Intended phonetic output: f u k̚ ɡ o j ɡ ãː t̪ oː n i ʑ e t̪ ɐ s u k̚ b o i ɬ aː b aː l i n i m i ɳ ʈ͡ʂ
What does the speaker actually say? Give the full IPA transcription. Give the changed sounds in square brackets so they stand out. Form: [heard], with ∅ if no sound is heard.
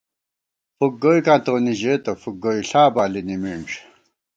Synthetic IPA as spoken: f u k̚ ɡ o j [k] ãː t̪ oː n i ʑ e t̪ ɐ [f] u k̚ [ɡ] o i ɬ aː b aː l i n i m i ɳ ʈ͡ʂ